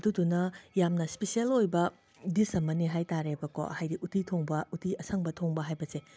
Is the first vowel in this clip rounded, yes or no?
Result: yes